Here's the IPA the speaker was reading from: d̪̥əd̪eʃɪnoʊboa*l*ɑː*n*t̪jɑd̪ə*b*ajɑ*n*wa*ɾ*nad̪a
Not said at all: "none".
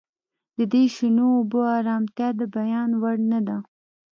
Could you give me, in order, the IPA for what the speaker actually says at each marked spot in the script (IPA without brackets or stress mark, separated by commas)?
ɾ, m, b, n, ɽ